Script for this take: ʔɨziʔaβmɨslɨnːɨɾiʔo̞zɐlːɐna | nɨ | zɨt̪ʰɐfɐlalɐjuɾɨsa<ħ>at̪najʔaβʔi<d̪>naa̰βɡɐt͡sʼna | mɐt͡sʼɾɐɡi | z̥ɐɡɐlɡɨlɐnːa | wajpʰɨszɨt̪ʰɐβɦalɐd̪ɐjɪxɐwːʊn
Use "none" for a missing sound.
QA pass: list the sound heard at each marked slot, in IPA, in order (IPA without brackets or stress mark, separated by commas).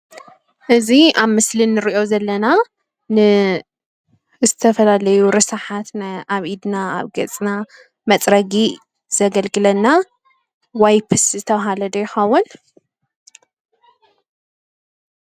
ħ, d̪